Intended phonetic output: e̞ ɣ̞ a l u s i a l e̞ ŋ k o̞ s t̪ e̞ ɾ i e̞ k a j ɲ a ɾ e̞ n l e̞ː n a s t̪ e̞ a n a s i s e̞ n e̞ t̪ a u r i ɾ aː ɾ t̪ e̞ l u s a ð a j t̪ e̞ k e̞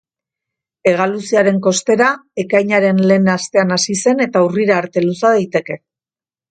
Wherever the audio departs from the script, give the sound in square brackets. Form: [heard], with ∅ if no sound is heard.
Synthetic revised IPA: e̞ ɣ̞ a l u s i a [ɾ] e̞ ŋ k o̞ s t̪ e̞ ɾ [a] e̞ k a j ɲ a ɾ e̞ n l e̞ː n a s t̪ e̞ a n a s i s e̞ n e̞ t̪ a u r i ɾ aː ɾ t̪ e̞ l u s a ð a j t̪ e̞ k e̞